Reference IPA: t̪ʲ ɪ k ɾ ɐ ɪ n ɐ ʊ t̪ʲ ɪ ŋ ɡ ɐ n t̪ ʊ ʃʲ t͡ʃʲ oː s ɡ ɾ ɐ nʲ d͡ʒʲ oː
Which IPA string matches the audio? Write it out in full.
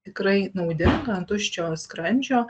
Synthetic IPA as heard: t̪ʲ ɪ k ɾ ɐ ɪ n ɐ ʊ d̪ʲ ɪ ŋ ɡ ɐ n t̪ ʊ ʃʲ t͡ʃʲ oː s k ɾ ɐ nʲ d͡ʒʲ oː